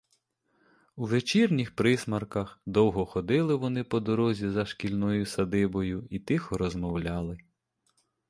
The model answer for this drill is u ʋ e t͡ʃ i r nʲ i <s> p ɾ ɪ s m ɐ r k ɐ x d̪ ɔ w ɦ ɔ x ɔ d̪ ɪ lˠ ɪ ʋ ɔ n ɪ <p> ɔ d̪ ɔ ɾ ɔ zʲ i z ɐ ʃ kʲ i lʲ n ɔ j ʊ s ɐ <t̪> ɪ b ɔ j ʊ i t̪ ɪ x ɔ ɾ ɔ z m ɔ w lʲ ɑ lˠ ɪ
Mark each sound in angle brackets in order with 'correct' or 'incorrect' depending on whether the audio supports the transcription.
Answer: incorrect: x, correct, incorrect: d̪

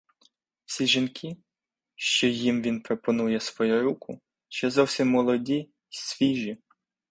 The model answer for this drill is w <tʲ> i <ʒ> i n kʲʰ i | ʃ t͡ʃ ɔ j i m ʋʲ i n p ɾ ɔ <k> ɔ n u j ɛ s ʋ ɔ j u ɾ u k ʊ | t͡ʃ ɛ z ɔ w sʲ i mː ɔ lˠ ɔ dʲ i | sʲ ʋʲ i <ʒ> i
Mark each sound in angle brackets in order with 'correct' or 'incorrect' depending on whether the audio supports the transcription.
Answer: incorrect: sʲ, correct, incorrect: p, correct

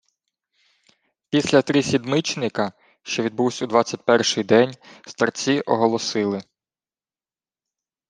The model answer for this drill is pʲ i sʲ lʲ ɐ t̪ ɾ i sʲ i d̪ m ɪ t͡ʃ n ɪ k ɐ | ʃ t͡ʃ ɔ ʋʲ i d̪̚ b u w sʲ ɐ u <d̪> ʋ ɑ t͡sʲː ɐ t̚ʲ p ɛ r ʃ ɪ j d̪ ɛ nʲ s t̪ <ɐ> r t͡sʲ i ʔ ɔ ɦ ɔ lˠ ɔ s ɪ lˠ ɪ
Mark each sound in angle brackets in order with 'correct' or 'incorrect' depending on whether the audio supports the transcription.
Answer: correct, correct

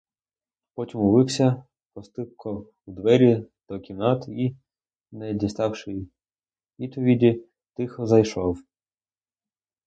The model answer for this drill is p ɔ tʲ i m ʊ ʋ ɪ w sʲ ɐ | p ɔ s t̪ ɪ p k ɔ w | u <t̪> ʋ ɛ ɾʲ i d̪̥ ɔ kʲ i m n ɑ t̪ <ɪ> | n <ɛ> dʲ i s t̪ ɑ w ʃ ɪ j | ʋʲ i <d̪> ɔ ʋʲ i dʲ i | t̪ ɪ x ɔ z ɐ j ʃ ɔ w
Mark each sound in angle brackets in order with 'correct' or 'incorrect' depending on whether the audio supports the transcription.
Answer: incorrect: d̪, incorrect: i, correct, incorrect: t̪

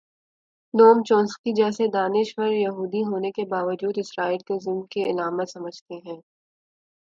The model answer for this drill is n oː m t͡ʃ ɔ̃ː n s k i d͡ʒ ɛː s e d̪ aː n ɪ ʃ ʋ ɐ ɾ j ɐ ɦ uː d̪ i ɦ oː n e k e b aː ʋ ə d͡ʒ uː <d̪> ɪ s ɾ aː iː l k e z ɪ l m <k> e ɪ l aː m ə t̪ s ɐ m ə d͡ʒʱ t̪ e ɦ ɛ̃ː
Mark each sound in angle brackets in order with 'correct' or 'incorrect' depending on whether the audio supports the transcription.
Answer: correct, correct

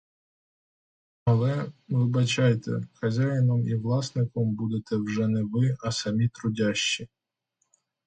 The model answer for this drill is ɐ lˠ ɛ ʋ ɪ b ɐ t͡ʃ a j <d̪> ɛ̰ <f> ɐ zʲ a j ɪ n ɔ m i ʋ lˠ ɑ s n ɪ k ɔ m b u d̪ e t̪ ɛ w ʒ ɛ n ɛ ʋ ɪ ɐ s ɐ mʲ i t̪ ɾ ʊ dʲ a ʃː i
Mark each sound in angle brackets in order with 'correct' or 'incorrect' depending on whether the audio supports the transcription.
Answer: incorrect: t̪, incorrect: x

